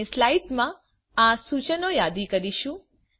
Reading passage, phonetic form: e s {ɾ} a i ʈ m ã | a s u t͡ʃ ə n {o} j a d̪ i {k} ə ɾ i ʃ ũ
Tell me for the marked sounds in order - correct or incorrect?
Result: incorrect: l, correct, correct

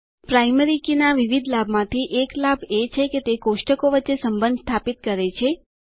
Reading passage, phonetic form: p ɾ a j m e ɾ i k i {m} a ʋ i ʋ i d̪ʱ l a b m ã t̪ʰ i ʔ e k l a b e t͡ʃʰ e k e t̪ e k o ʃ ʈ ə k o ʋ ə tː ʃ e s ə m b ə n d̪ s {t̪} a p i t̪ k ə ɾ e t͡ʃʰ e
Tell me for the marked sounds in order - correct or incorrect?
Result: incorrect: n, incorrect: t̪ʰ

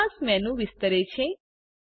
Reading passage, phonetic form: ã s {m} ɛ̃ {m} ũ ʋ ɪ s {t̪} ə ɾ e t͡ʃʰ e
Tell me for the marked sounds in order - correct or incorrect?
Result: correct, incorrect: n, correct

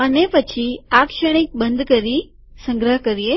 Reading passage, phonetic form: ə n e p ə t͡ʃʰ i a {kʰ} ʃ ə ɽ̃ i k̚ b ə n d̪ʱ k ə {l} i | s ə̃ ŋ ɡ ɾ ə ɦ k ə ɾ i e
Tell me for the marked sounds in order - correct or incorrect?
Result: incorrect: k, incorrect: ɾ

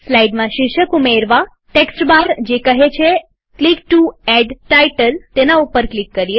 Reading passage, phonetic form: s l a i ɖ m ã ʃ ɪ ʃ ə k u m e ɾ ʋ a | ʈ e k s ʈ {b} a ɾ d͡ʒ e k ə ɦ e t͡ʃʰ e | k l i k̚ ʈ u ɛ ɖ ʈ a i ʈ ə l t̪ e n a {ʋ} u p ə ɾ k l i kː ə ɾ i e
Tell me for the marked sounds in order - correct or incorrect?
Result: correct, incorrect: none

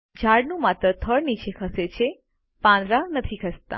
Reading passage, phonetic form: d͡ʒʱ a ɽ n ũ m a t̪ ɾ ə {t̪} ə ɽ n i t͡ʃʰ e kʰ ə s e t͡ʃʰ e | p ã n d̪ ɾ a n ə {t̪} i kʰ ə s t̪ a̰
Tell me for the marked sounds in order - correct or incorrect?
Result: incorrect: t̪ʰ, incorrect: t̪ʰ

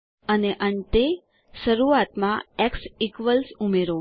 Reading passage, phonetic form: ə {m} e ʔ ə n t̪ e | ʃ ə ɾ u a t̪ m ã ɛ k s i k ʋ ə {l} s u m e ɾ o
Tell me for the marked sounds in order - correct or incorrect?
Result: incorrect: n, correct

